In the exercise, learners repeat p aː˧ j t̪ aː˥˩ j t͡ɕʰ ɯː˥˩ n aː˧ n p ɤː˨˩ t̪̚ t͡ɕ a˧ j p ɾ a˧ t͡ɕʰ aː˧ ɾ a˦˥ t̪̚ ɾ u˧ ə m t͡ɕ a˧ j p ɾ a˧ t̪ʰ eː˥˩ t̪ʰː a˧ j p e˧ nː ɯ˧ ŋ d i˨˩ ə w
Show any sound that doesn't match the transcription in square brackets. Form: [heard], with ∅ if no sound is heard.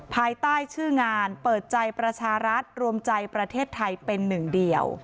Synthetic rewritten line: [pʰ] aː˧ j t̪ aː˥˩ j t͡ɕʰ ɯː˥˩ [ŋ] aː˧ n p ɤː˨˩ t̪̚ t͡ɕ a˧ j p ɾ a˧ t͡ɕʰ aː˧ ɾ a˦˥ t̪̚ ɾ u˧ ə m t͡ɕ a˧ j p ɾ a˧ t̪ʰ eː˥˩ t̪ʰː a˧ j p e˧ nː [ɯ˨˩] ŋ d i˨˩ ə w